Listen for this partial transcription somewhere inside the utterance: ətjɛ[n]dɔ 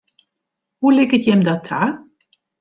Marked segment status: incorrect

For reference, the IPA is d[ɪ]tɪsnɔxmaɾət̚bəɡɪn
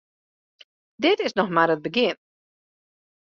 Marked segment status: correct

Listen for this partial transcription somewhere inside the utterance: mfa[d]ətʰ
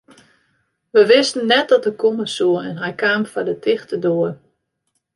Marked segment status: correct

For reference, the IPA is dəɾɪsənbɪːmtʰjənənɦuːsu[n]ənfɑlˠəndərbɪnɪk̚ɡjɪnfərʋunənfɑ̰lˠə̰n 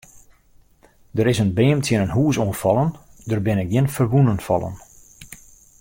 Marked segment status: incorrect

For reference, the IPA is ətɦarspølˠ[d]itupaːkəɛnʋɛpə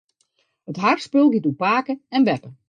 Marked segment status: incorrect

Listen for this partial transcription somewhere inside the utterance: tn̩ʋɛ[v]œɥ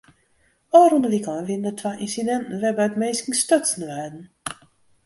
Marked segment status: incorrect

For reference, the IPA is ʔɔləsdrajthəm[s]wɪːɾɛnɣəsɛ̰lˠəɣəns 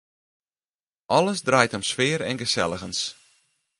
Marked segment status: correct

